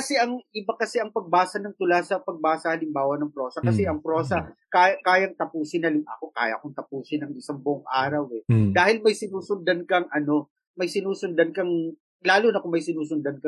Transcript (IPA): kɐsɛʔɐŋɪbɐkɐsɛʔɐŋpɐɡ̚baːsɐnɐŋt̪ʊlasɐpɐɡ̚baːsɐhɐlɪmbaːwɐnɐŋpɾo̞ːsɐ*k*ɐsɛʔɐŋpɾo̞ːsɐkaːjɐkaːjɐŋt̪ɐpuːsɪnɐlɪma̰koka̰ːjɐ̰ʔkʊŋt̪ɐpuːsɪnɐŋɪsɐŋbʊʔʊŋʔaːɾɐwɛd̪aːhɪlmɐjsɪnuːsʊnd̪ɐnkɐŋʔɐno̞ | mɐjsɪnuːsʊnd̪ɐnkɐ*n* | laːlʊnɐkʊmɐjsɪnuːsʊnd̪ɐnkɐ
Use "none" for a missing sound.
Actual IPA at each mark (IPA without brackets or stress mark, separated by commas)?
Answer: k, ŋ